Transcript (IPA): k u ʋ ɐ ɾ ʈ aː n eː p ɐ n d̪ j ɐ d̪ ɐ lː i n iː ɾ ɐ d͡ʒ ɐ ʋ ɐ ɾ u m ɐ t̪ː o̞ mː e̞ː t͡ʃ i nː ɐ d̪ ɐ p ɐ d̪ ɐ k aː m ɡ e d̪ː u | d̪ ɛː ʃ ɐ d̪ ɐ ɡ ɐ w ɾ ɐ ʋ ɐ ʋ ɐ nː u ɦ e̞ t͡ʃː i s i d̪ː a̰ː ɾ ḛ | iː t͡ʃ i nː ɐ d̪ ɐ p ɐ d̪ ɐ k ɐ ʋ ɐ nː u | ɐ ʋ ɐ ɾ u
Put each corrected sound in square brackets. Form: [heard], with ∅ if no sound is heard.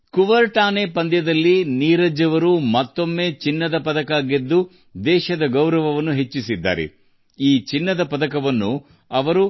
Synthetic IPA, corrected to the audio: k u ʋ ɐ ɾ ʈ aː n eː p ɐ n d̪ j ɐ d̪ ɐ lː i n iː ɾ ɐ d͡ʒ ɐ ʋ ɐ ɾ u m ɐ t̪ː o̞ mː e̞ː t͡ʃ i nː ɐ d̪ ɐ p ɐ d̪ ɐ k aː [∅] ɡ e d̪ː u | d̪ ɛː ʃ ɐ d̪ ɐ ɡ ɐ w ɾ ɐ ʋ ɐ ʋ ɐ nː u ɦ e̞ t͡ʃː i s i d̪ː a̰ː ɾ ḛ | iː t͡ʃ i nː ɐ d̪ ɐ p ɐ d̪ ɐ k ɐ ʋ ɐ nː u | ɐ ʋ ɐ ɾ u